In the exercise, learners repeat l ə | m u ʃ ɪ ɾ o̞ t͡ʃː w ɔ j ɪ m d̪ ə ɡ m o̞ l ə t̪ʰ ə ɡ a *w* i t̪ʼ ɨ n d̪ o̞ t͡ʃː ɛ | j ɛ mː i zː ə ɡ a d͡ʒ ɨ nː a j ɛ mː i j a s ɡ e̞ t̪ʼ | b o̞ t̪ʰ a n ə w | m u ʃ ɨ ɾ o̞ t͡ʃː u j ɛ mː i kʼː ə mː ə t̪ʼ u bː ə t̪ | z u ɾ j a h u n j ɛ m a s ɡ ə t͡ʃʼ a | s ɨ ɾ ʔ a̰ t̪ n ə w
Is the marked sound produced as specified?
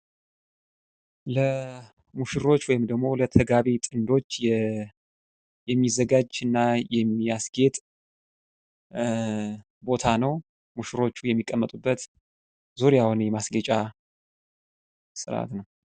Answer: no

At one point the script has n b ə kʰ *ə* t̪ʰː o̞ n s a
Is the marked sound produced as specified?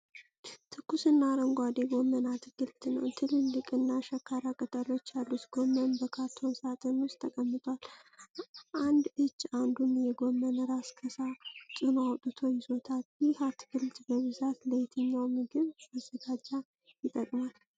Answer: no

